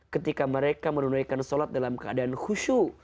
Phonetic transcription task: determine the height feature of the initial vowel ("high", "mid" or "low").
mid